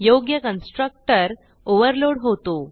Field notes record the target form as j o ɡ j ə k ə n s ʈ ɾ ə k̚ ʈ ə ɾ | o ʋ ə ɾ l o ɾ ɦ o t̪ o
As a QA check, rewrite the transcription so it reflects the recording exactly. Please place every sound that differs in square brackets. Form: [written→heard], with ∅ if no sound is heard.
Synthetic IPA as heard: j o ɡ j ə k ə n s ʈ ɾ ə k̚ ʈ ə ɾ | o ʋ ə ɾ l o [ɾ→ɽ] ɦ o t̪ o